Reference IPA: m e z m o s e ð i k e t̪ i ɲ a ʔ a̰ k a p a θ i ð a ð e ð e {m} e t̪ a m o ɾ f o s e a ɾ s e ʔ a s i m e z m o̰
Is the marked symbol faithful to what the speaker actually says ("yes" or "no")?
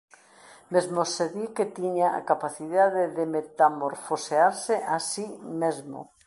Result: yes